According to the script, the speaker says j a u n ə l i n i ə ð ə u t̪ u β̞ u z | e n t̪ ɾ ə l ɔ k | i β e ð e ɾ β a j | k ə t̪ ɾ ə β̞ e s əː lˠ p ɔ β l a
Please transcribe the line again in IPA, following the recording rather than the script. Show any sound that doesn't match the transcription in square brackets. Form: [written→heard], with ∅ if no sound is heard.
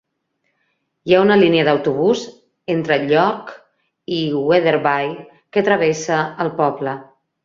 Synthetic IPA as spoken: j a u n ə l i n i ə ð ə [u→w] t̪ u β̞ u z | e n t̪ ɾ ə [l→ʎ] ɔ k | i [β→w] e ð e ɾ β a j | k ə t̪ ɾ ə β̞ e s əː lˠ p ɔ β l [a→ə]